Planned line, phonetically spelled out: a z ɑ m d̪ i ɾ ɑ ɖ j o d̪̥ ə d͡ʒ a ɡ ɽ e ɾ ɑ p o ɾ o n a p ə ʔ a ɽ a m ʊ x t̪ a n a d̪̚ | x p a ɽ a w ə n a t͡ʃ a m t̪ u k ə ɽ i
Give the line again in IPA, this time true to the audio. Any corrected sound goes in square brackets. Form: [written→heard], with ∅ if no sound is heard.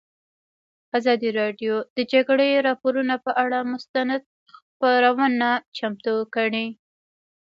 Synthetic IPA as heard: a z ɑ [m→∅] d̪ i ɾ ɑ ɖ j o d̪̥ ə d͡ʒ a ɡ ɽ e ɾ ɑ p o ɾ [o→u] n a p ə ʔ a ɽ a m ʊ [x→s] t̪ a n a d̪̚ | x p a [ɽ→ɾ] a w ə n a t͡ʃ a m t̪ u k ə ɽ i